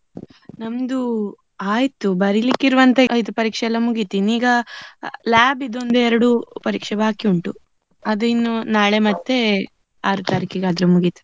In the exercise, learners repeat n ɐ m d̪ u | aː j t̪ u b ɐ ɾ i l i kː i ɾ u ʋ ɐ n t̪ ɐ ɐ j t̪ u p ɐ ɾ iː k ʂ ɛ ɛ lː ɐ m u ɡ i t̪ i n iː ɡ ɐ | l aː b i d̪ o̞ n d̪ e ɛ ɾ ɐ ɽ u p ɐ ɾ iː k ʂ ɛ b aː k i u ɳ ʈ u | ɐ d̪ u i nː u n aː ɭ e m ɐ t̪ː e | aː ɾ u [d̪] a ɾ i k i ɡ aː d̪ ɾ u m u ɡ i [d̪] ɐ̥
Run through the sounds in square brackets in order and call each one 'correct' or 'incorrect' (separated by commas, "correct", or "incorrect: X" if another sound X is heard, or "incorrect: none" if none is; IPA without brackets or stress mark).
incorrect: t̪, incorrect: t̪